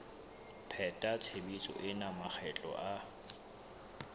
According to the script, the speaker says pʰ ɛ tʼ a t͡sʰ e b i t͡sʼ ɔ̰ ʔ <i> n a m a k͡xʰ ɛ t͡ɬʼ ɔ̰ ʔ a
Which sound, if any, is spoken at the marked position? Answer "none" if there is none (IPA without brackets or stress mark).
ɪ